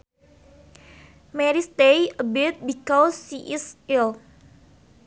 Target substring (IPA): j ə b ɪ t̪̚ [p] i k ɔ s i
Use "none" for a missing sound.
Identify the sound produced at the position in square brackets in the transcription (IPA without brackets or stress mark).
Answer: b